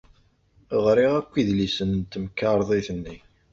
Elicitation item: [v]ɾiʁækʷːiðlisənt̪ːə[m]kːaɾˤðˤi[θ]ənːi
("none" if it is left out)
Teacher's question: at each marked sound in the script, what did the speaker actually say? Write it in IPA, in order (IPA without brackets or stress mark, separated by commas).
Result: ʁ, m, θ